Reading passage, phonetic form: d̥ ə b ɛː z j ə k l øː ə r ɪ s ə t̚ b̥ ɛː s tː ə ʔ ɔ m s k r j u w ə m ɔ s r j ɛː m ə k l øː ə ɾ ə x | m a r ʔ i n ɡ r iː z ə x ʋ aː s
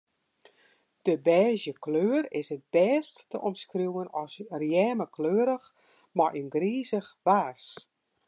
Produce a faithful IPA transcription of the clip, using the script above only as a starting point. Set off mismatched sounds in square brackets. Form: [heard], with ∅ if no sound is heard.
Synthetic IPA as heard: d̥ ə b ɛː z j ə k l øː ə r ɪ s ə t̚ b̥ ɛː s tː ə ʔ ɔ m s k r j u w ə [n] ɔ s r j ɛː m ə k l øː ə ɾ ə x | m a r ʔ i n ɡ r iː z ə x ʋ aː s

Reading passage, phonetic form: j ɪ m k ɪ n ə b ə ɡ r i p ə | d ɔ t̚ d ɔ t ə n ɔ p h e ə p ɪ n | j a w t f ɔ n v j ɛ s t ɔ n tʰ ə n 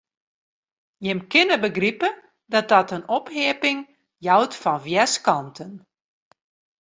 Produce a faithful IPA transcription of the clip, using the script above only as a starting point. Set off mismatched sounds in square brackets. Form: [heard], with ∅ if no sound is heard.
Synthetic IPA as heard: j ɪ m k ɪ n ə b ə ɡ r i p ə | d ɔ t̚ d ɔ t ə n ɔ p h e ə p ɪ [ŋ] | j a w t f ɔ n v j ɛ s [k] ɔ n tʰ ə n

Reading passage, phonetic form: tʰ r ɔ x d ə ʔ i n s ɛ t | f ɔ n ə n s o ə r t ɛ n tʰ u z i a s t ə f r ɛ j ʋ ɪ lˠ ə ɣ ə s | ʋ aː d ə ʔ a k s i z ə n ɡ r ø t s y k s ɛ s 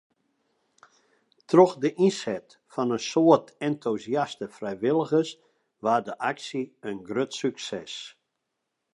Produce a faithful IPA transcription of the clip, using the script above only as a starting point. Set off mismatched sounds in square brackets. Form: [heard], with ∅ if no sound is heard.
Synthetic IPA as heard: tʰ r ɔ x d ə ʔ i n s ɛ t | f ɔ n ə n s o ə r t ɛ n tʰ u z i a s t ə f r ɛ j ʋ ɪ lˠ ə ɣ ə s | ʋ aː d ə ʔ a k s i [∅] ə n ɡ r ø t s y k s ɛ s

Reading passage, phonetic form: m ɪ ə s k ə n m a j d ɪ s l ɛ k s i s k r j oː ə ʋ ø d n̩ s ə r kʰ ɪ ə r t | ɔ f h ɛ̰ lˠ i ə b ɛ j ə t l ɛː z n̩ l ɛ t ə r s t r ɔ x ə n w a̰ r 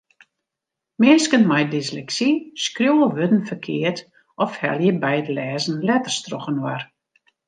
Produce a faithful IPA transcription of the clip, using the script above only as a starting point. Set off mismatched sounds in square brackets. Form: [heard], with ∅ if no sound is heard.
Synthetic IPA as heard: m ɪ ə s k ə n m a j d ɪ s l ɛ k s i s k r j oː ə ʋ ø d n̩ [f] ə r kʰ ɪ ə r t | ɔ f h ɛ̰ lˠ [j] ə b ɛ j ə t l ɛː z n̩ l ɛ t ə r s t r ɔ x ə n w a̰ r

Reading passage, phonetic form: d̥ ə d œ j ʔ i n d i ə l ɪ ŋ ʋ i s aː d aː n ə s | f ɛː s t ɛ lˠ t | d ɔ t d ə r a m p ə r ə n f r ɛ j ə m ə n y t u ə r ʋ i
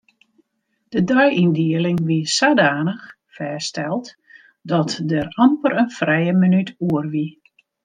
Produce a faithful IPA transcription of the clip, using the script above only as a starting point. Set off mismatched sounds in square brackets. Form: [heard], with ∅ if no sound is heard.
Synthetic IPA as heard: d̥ ə d œ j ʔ i n d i ə l ɪ ŋ ʋ i s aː d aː n ə [x] | f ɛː s t ɛ lˠ t | d ɔ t d ə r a m p ə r ə n f r ɛ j ə m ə n y t u ə r ʋ i

